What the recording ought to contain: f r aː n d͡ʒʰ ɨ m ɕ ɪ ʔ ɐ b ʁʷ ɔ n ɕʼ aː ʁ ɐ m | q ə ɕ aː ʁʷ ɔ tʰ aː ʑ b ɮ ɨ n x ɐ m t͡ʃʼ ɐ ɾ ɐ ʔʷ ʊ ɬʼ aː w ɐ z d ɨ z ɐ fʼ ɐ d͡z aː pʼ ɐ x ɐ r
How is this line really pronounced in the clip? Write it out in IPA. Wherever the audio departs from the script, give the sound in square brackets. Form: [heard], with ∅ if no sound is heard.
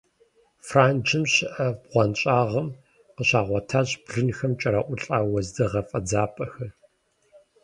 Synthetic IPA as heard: f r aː n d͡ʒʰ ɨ m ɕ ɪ ʔ ɐ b ʁʷ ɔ n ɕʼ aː ʁ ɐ m | q ə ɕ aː ʁʷ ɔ tʰ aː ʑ b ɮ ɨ n x ɐ m t͡ʃʼ ɐ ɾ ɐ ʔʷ ʊ ɬʼ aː w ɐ z d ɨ [ʁ] ɐ fʼ ɐ d͡z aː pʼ ɐ x ɐ r